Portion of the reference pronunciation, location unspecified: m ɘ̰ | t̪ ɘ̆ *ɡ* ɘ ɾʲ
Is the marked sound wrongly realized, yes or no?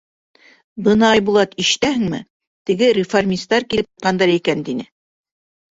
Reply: no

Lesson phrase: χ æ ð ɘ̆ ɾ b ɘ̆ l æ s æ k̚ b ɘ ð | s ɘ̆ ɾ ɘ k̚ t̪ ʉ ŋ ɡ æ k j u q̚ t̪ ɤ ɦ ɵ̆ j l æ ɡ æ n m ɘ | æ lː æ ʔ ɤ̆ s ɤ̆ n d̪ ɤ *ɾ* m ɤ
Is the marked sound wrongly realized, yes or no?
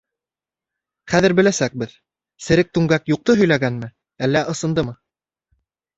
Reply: yes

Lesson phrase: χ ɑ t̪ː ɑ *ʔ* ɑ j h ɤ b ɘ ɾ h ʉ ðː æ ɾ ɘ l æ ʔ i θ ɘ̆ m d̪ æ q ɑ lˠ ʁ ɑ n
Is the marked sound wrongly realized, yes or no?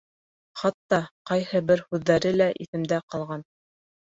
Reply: yes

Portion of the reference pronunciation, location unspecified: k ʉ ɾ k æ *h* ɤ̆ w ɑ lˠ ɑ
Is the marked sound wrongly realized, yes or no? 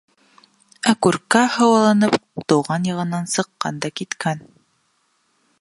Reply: no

